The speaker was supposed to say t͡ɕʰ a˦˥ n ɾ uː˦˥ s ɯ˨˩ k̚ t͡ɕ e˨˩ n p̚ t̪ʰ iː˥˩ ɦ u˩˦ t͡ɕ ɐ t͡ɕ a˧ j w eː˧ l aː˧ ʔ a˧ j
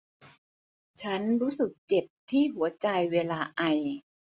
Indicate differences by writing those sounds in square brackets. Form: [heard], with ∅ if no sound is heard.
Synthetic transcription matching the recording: t͡ɕʰ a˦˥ n ɾ uː˦˥ s ɯ˨˩ k̚ t͡ɕ e˨˩ [∅] p̚ t̪ʰ iː˥˩ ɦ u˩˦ [∅] ɐ t͡ɕ a˧ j w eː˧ l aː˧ ʔ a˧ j